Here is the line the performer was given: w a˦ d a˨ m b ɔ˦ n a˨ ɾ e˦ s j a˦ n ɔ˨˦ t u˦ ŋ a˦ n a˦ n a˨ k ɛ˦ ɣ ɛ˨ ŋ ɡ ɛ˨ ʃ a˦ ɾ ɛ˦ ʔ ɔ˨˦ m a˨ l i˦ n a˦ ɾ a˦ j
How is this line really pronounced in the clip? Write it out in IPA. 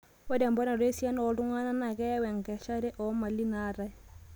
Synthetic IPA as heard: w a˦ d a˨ m b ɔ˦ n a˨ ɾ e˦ s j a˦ n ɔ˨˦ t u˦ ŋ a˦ n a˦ n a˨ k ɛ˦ w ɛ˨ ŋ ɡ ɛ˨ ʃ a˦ ɾ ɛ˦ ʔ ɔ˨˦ m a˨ l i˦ n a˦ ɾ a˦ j